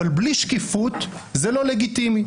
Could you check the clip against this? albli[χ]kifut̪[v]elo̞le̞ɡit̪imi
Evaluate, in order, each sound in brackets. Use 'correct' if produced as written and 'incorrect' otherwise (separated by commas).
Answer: incorrect, incorrect